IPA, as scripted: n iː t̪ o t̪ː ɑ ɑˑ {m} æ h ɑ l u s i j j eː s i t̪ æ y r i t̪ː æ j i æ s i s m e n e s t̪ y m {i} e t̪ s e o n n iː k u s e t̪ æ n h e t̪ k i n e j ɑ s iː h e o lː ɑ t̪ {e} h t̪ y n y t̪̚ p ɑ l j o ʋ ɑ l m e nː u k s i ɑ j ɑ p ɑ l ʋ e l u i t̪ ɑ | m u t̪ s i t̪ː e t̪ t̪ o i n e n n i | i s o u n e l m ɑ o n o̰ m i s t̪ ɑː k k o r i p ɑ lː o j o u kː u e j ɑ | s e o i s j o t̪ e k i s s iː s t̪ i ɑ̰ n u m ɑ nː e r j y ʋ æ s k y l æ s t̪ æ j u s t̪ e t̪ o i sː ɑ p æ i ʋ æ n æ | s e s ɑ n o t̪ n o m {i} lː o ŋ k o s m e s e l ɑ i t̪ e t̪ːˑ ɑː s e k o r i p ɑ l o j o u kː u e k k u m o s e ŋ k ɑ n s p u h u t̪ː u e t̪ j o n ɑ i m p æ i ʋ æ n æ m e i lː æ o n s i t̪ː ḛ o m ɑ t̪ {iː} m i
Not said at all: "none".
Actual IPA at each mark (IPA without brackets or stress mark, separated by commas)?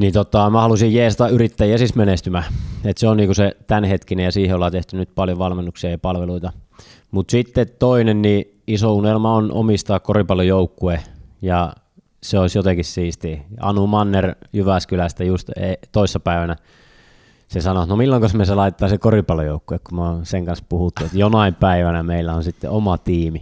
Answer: m, æ, e, i, iː